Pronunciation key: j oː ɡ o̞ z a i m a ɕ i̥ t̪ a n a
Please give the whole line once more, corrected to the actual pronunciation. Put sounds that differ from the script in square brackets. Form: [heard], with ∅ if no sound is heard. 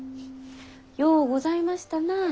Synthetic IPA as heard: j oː ɡ o̞ z a i m a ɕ i̥ t̪ a n a